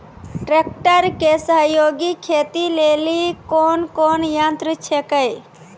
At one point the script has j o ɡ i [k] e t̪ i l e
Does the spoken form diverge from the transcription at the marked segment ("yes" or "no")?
yes